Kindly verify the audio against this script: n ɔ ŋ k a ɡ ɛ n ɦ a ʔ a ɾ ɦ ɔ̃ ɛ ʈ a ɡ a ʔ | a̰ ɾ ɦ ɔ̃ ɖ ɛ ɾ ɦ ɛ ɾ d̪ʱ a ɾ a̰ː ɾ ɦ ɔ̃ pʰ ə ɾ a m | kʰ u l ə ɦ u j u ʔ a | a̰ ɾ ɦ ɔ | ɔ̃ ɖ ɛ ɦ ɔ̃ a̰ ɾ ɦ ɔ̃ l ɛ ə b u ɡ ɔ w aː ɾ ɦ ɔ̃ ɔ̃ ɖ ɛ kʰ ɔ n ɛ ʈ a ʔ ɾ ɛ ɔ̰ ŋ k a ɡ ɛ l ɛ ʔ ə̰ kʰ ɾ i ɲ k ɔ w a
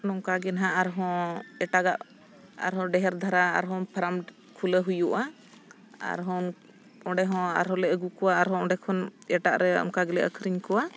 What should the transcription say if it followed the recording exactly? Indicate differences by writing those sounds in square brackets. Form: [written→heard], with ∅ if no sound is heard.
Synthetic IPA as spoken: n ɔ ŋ k a ɡ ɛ n ɦ a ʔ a ɾ ɦ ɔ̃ ɛ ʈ a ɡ a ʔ | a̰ ɾ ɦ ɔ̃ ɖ ɛ [ɾ→∅] ɦ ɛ ɾ d̪ʱ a ɾ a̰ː ɾ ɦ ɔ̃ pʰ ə ɾ a m | kʰ u l ə ɦ u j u ʔ a | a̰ ɾ ɦ ɔ | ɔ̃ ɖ ɛ ɦ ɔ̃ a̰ ɾ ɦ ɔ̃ l ɛ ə [b→ɡ] u [ɡ→k] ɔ w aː ɾ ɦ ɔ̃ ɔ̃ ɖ ɛ kʰ ɔ n ɛ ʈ a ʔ ɾ ɛ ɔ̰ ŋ k a ɡ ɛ l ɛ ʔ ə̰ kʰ ɾ i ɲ k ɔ w a